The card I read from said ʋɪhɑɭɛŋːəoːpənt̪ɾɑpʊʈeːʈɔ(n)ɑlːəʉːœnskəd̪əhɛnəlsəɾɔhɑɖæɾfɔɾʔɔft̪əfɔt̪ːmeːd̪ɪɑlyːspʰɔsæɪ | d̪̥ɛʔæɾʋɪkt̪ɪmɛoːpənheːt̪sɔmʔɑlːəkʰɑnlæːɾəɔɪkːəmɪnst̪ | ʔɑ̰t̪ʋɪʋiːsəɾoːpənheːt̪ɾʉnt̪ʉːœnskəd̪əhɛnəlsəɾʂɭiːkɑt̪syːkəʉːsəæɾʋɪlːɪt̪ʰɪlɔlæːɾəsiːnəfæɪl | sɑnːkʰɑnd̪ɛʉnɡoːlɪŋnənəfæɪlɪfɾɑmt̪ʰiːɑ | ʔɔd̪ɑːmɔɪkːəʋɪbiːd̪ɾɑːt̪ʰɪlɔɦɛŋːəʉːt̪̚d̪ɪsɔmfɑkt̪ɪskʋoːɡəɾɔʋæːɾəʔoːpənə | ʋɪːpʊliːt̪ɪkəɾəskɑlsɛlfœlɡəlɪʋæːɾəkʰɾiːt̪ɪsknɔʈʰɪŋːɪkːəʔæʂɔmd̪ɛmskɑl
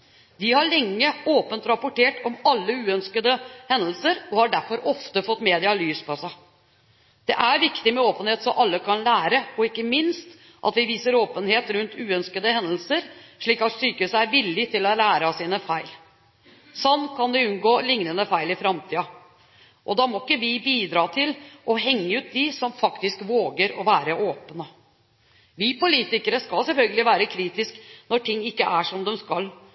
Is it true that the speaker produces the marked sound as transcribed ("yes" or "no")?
no